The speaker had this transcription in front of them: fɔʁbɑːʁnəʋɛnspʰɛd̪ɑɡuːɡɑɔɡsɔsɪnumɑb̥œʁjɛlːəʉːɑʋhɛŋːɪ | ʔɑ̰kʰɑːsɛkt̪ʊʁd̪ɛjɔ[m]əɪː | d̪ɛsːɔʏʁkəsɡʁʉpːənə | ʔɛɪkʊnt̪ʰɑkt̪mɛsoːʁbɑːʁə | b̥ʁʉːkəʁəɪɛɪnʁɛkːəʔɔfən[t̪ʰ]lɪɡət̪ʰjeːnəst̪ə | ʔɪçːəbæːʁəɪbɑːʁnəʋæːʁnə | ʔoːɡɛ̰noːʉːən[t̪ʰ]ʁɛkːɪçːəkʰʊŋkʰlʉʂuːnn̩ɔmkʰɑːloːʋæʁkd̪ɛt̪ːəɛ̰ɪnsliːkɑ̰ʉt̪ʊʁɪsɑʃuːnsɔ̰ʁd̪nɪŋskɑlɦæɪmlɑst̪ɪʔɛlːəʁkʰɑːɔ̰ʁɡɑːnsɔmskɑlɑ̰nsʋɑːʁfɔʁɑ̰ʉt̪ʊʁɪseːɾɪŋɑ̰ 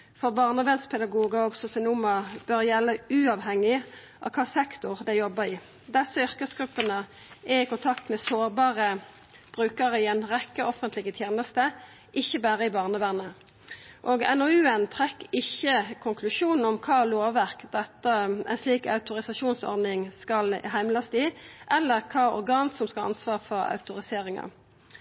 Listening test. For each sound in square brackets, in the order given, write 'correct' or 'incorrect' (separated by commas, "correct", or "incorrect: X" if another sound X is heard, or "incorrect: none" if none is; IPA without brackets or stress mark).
incorrect: b, incorrect: t̪, correct